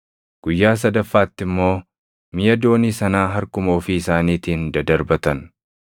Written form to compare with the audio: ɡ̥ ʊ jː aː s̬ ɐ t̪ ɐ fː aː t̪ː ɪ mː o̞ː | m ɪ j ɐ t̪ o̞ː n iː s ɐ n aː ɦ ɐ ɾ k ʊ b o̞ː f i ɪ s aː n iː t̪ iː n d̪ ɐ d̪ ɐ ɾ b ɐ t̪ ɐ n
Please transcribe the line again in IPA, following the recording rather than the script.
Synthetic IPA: ɡ̥ ʊ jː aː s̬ ɐ d̪ ɐ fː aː t̪ː ɪ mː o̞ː | m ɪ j ɐ d̪ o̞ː n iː s ɐ n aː ɦ ɐ ɾ k ʊ m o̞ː f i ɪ s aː n iː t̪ iː n d̪ ɐ d̪ ɐ ɾ b ɐ t̪ ɐ n